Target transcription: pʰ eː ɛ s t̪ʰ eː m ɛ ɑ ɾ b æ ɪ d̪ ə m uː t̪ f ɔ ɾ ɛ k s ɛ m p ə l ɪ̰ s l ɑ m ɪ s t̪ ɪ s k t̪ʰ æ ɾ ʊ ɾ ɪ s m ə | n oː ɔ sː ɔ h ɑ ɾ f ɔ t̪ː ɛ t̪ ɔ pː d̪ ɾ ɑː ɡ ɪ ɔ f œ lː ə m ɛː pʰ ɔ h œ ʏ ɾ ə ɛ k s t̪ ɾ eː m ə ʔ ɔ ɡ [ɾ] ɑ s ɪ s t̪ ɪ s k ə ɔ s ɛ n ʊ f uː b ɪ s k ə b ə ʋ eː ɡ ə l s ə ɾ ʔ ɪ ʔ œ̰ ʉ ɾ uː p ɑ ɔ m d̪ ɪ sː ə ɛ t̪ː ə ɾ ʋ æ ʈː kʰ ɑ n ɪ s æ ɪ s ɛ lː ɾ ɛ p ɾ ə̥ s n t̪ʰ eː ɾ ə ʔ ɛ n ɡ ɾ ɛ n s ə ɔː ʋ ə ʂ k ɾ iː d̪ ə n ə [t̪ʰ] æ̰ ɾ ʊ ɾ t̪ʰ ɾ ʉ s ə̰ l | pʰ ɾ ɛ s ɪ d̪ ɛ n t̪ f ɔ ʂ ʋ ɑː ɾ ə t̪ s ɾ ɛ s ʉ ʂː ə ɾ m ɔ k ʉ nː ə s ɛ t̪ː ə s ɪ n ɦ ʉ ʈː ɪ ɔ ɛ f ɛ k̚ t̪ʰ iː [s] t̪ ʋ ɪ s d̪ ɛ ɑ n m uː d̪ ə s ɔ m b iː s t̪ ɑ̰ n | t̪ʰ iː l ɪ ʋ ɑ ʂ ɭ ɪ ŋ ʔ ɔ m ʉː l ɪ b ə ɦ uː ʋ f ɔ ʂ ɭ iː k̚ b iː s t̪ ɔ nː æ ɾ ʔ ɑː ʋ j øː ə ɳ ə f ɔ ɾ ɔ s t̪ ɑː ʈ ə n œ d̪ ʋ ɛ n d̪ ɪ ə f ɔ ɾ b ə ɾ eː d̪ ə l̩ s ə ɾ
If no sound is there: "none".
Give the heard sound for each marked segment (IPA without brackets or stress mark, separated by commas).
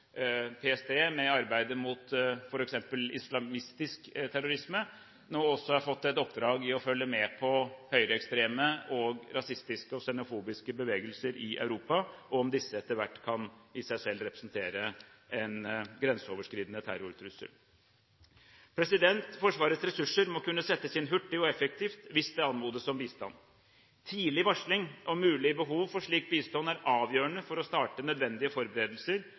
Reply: ɾ, t̪ʰ, f